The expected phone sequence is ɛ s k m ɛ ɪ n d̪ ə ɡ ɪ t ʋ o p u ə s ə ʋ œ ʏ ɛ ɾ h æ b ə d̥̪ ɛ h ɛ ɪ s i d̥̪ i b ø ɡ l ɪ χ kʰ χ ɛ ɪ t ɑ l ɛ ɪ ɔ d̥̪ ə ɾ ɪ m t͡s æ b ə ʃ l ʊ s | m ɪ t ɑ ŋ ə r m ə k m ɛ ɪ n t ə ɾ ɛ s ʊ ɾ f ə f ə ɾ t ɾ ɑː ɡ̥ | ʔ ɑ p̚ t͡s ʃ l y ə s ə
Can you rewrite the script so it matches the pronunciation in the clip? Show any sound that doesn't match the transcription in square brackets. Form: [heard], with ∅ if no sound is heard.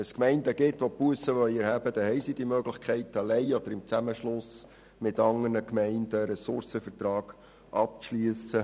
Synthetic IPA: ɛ s k m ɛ ɪ n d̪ ə ɡ ɪ t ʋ o p u ə s ə ʋ œ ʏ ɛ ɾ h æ b ə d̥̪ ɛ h ɛ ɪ s i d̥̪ i [m] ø ɡ l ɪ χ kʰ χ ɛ ɪ t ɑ l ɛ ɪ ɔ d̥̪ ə ɾ ɪ m t͡s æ [m] ə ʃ l ʊ s | m ɪ t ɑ ŋ ə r [n] ə k m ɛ ɪ n [d] ə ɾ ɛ s ʊ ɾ [s] ə f ə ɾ t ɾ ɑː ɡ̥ | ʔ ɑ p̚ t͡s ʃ l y ə s ə

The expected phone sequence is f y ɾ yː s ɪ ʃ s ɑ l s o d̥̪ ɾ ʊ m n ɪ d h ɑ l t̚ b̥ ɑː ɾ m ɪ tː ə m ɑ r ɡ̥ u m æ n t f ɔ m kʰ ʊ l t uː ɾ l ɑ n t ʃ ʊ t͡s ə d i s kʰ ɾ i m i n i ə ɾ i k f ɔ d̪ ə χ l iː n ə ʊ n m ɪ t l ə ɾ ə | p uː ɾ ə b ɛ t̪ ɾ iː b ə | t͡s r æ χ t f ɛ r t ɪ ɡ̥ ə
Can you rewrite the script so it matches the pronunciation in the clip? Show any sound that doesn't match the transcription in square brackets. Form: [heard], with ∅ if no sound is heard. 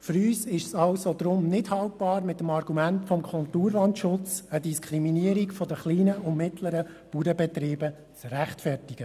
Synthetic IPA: f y ɾ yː s ɪ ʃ s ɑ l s o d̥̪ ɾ ʊ m n ɪ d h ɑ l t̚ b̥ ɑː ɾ m ɪ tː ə m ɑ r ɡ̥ u m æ n t f ɔ m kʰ ʊ l t uː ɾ l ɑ n t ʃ ʊ t͡s ə d i s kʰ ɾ i m i n i ə ɾ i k f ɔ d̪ ə χ l iː n ə ʊ n m ɪ t l ə ɾ ə | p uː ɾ ə b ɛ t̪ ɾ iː b ə | t͡s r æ χ t f ɛ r t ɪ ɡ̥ ə

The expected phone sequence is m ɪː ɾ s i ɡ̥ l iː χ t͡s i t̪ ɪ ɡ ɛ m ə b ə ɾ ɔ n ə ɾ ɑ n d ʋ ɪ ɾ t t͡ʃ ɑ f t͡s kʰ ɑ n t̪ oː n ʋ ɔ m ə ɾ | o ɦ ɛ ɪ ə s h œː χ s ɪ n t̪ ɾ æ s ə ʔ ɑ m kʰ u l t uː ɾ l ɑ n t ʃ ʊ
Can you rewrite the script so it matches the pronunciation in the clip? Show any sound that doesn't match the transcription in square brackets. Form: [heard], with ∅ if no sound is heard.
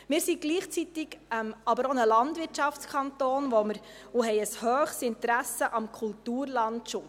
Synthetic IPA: m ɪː ɾ s i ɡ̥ l iː χ t͡s i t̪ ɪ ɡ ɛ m [ɑ] b ə ɾ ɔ n ə [l] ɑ n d ʋ ɪ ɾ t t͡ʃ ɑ f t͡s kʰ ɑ n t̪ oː n ʋ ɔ m ə ɾ | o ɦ ɛ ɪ ə s h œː χ s ɪ n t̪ ɾ æ s ə ʔ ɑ m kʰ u l t uː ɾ l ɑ n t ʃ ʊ

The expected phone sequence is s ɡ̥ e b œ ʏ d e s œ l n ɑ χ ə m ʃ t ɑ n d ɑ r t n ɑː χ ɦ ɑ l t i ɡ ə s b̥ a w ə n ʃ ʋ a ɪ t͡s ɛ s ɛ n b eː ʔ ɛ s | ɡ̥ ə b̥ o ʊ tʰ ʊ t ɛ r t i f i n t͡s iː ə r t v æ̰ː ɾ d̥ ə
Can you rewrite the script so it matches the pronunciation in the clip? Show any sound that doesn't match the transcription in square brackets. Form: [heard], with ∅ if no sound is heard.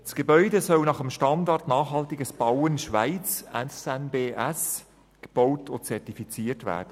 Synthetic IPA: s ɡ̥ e b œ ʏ d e s œ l n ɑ χ ə m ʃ t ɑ n d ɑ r t n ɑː χ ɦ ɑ l t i ɡ ə s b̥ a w ə n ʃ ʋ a ɪ t͡s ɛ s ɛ n b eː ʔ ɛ s | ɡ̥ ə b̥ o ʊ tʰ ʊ [t͡s] ɛ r t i f i [∅] t͡s iː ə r t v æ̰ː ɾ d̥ ə

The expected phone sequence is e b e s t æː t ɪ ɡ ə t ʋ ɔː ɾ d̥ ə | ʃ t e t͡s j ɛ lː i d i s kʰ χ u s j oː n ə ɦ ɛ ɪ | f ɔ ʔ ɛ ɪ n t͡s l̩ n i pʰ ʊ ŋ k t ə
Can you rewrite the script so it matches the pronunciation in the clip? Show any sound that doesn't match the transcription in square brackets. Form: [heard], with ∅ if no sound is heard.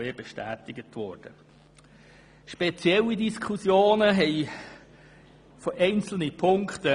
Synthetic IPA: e b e [ʃ] t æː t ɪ ɡ ə t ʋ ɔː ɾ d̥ ə | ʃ [p] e t͡s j ɛ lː i d i s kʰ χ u s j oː n ə ɦ ɛ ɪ | f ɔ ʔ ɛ ɪ n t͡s l̩ n i pʰ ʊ ŋ k t ə

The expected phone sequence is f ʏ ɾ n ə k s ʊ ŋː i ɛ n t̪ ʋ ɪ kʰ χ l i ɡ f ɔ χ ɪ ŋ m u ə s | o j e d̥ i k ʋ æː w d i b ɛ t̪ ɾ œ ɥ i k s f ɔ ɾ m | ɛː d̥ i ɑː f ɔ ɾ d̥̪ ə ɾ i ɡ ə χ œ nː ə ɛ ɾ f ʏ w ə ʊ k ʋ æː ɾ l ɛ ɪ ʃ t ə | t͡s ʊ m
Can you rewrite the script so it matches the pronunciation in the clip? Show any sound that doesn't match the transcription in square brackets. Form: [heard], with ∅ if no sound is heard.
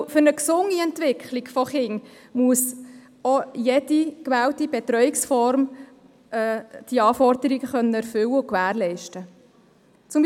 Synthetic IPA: f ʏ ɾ n ə k s ʊ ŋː i ɛ n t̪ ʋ ɪ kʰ χ l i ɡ f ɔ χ ɪ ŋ m u ə s | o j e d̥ i k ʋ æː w [t] i b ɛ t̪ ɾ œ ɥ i k s f ɔ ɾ m | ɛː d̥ i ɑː f ɔ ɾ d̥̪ ə ɾ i ɡ ə χ œ nː ə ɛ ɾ f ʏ w ə ʊ k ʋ æː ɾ l ɛ ɪ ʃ t ə | t͡s ʊ m

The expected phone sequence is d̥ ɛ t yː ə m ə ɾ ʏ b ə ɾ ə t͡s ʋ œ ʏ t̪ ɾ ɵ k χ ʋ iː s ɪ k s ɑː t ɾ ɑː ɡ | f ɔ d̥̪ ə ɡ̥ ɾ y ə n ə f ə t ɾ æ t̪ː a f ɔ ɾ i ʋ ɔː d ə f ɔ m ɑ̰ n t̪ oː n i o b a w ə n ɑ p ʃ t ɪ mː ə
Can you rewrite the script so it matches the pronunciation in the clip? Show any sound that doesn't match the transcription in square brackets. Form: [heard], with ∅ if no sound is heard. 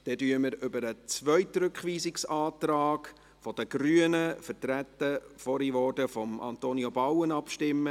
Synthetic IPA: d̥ ɛ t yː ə m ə ɾ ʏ b ə ɾ ə t͡s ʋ œ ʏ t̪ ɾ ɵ k χ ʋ iː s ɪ k s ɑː t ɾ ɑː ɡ | f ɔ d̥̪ ə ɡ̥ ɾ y ə n ə f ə t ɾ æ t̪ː [ə] f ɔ ɾ i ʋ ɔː d ə f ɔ m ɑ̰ n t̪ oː n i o b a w ə n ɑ p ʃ t ɪ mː ə

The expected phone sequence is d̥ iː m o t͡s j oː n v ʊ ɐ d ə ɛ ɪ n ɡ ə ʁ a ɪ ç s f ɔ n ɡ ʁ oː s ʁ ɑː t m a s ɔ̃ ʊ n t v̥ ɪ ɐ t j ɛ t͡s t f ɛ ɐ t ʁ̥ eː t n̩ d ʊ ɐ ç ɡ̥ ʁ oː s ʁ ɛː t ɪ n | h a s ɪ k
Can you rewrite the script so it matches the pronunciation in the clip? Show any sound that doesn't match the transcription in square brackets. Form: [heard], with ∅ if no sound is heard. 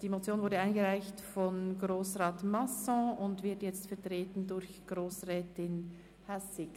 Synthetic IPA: d̥ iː m o t͡s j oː n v ʊ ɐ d ə [a] ɪ n ɡ ə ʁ a ɪ ç [t] f ɔ n ɡ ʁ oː s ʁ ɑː t m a s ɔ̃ ʊ n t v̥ ɪ ɐ t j ɛ t͡s t f ɛ ɐ t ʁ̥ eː t n̩ d ʊ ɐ ç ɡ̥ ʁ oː s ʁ ɛː t ɪ n | h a s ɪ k

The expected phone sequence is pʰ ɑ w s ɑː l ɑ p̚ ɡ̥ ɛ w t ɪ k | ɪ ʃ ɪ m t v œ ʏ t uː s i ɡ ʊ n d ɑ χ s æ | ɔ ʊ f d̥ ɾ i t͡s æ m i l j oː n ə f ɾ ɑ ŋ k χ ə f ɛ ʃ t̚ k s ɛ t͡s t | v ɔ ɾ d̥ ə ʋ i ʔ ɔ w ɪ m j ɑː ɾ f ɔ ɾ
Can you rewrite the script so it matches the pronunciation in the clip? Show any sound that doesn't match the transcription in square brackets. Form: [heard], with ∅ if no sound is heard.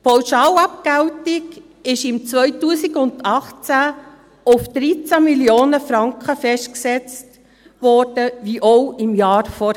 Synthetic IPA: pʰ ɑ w [ʃ] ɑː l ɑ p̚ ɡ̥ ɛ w t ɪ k | ɪ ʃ ɪ m [t͡s] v œ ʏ t uː s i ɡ ʊ n d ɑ χ [t͡s] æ | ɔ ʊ f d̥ ɾ i t͡s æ m i l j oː n ə f ɾ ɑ ŋ k χ ə f ɛ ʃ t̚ k s ɛ t͡s t | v ɔ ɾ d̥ ə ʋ i ʔ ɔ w ɪ m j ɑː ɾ f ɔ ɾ

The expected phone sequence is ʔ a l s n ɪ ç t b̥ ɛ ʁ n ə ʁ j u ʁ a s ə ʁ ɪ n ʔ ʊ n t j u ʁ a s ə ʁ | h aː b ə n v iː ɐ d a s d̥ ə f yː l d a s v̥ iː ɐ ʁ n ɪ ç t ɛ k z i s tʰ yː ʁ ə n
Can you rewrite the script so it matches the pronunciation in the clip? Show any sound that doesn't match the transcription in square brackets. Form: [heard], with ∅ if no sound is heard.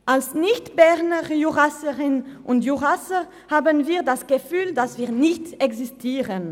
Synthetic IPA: ʔ a l s n ɪ ç t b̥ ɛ ʁ n ə ʁ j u ʁ a s ə ʁ ɪ n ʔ ʊ n t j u ʁ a s ə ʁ | h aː b ə n v iː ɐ d a s [ɡ̥] ə f yː l d a s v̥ iː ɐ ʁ n ɪ ç t ɛ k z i s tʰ [iː] ʁ ə n

